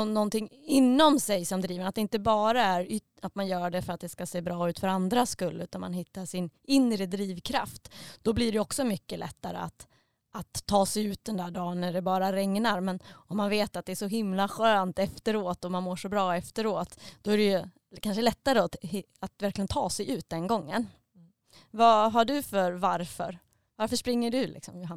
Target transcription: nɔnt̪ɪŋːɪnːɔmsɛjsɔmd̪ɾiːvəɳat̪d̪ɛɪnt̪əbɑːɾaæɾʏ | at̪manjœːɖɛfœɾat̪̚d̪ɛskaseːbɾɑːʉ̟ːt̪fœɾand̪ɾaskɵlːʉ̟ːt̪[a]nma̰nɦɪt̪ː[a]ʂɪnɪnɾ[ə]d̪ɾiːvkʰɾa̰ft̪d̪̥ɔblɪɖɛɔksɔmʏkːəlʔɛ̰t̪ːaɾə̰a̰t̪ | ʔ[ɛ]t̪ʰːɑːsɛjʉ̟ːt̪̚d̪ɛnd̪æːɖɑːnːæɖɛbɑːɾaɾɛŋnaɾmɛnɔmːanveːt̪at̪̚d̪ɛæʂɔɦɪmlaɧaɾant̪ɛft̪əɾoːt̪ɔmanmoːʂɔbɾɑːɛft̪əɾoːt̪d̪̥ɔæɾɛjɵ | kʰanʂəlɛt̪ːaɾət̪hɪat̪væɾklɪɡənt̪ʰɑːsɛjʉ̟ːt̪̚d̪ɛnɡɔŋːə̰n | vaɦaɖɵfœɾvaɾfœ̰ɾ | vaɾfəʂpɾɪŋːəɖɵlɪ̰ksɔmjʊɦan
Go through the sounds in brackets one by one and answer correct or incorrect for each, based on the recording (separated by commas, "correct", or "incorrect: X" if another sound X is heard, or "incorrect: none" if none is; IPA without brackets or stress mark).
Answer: correct, correct, correct, incorrect: a